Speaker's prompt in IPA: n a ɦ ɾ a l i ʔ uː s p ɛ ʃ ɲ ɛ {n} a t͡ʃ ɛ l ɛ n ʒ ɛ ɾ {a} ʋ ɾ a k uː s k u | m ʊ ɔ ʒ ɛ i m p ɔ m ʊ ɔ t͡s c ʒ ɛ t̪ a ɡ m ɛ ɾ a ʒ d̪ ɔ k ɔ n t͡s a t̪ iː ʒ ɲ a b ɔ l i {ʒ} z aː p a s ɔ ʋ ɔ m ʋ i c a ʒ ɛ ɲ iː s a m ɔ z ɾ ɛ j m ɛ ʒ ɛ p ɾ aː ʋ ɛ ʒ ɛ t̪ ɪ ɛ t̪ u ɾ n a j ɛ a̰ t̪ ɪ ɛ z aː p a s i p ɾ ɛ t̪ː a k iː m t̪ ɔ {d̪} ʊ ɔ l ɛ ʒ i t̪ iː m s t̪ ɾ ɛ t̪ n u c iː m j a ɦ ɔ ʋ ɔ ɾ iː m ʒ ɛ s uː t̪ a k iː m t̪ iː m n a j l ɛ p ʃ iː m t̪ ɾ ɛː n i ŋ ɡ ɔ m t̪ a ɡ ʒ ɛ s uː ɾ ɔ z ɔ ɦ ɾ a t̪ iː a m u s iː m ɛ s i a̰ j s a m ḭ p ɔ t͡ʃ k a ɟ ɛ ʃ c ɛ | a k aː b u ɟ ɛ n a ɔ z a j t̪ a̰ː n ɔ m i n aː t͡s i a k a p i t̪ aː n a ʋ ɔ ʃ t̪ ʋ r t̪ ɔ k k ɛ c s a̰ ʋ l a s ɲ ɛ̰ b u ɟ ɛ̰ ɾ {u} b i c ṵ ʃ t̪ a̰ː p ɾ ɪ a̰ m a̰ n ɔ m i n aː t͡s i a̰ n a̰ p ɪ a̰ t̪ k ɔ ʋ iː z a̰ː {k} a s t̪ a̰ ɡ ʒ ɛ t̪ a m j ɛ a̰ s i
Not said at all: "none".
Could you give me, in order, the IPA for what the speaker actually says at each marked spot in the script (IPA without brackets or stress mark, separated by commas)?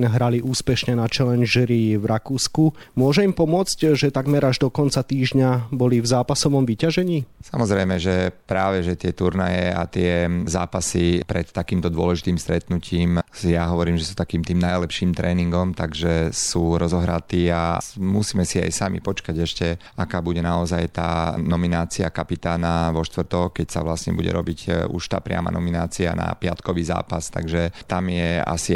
n, i, v, d̪, ɔ, p